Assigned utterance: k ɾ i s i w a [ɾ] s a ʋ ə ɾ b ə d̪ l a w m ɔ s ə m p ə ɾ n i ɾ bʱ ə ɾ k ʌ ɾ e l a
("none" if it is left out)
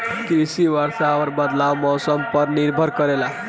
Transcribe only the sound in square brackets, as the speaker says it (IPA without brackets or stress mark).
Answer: ɾ